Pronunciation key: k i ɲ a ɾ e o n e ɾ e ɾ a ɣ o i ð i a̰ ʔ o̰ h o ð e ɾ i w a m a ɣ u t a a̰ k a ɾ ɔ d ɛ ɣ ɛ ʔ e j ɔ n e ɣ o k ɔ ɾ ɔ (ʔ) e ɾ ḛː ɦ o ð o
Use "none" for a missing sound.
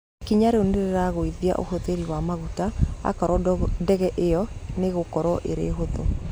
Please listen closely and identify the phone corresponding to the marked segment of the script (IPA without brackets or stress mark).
ʔ